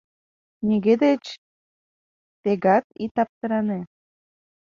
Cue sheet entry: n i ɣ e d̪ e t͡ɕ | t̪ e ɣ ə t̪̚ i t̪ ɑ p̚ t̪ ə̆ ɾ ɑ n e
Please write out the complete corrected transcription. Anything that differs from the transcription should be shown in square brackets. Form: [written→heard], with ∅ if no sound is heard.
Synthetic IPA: n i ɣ e d̪ e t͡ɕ | t̪ e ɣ [ə→ɑ] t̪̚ i t̪ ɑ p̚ t̪ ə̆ ɾ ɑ n e